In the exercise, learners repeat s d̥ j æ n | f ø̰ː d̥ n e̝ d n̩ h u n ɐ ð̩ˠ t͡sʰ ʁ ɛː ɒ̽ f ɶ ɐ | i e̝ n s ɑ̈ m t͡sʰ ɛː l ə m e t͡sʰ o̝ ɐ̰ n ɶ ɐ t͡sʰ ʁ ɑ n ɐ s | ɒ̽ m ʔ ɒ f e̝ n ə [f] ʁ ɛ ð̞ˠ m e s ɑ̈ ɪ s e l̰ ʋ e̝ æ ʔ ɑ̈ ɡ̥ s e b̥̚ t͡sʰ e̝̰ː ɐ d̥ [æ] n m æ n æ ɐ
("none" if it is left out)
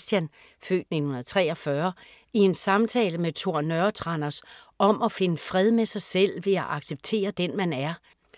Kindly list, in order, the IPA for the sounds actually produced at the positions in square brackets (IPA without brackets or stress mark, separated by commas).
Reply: f, e